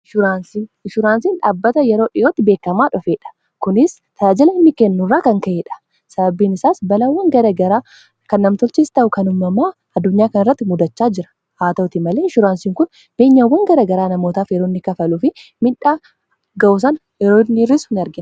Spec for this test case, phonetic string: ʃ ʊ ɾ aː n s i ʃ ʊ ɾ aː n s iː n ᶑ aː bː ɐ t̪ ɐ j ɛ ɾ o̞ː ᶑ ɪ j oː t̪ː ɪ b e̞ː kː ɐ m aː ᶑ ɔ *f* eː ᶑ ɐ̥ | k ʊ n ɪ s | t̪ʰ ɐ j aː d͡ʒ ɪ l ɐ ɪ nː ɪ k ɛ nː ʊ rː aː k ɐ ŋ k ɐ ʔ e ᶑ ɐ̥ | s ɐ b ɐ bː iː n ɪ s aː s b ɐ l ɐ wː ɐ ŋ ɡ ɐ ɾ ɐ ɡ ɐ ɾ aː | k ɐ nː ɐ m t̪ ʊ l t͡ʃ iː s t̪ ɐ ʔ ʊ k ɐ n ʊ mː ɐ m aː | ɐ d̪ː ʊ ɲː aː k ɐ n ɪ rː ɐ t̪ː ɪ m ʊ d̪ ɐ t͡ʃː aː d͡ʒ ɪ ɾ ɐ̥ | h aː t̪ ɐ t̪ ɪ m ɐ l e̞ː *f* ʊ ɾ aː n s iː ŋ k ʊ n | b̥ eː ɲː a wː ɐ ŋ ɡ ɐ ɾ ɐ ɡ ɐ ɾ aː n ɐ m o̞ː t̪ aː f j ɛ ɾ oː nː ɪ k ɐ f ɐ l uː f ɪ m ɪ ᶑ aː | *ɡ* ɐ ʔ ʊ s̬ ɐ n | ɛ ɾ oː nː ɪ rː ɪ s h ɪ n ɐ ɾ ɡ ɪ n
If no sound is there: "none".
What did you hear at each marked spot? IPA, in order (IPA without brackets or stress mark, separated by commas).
f, ʃ, ɡ